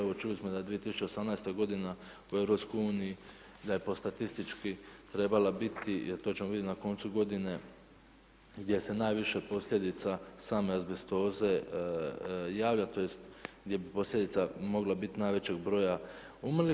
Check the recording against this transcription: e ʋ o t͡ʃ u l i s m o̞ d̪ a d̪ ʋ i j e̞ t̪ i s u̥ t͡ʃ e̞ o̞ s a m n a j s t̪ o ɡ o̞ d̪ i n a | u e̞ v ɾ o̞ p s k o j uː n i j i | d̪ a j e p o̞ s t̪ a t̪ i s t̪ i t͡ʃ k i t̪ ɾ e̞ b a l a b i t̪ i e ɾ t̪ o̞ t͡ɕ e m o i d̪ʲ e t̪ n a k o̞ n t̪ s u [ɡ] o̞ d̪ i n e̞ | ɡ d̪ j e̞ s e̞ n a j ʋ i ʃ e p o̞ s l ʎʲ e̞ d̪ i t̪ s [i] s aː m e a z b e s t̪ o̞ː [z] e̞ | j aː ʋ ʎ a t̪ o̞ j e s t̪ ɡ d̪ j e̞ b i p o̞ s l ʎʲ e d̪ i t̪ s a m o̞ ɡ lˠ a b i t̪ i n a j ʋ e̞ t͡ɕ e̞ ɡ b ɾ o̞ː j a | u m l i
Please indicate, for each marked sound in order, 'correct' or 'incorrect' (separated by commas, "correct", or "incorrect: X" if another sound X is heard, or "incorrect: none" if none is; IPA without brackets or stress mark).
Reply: correct, incorrect: a, correct